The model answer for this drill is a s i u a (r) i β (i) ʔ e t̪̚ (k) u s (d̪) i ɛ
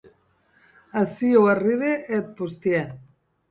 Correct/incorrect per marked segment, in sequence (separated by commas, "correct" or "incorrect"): correct, incorrect, incorrect, incorrect